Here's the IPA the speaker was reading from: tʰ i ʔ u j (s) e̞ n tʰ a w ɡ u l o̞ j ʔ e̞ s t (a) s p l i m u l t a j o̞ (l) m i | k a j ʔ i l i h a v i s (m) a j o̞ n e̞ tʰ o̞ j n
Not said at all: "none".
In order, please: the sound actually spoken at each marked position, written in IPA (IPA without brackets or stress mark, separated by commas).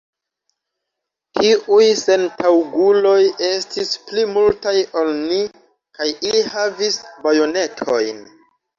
s, i, l, b